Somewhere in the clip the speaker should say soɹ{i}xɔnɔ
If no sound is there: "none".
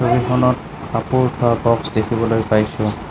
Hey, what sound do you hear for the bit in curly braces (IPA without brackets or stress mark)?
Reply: i